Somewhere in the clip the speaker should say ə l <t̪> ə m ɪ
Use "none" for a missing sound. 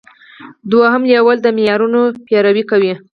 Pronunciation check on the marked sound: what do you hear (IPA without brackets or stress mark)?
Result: d̪